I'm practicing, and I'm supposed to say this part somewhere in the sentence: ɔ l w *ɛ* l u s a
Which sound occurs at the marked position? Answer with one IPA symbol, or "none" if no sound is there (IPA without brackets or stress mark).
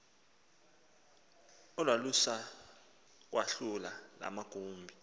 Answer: a